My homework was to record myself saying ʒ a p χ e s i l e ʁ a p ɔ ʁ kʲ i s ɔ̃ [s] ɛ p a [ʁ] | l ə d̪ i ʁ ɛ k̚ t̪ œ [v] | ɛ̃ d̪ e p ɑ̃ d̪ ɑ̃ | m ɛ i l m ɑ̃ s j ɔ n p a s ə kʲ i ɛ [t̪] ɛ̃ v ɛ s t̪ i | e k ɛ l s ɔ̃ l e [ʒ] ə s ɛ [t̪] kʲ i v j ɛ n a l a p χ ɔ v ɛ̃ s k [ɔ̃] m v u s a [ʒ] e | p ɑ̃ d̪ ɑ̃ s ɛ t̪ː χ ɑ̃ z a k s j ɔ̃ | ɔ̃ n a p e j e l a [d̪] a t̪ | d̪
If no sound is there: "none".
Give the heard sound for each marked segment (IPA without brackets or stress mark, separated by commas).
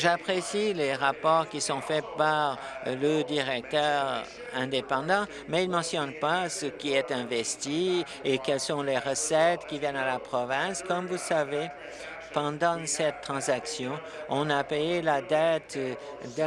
f, ʁ, ʁ, t̪, ʁ, t̪, ɔ, v, d̪